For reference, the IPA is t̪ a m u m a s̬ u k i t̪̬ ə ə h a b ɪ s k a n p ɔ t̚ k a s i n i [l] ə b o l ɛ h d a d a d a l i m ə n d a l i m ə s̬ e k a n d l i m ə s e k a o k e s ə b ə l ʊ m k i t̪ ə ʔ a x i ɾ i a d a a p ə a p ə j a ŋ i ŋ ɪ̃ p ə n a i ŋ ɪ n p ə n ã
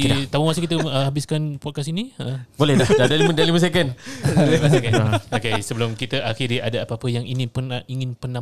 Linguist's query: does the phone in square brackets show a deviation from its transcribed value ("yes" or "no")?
yes